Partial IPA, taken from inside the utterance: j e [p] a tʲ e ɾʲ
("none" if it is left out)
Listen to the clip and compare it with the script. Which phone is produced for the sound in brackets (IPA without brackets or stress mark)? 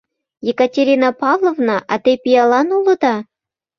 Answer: k